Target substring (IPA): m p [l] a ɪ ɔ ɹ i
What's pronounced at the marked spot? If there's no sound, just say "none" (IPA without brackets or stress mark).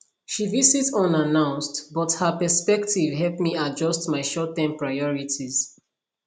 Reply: ɹ